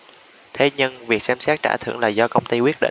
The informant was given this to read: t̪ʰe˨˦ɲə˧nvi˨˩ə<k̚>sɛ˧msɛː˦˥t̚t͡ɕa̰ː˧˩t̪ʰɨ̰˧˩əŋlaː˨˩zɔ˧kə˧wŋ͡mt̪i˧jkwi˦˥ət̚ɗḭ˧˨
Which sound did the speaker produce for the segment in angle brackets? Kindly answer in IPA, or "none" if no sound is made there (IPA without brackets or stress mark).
k̚